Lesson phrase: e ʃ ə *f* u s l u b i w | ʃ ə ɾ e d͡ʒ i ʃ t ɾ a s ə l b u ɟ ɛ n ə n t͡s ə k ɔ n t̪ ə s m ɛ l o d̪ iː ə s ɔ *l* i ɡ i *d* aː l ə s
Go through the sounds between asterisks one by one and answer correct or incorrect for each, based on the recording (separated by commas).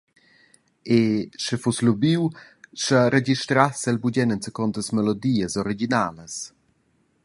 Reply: correct, incorrect, incorrect